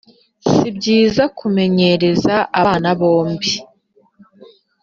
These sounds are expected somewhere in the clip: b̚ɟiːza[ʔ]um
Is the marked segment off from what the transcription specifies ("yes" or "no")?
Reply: yes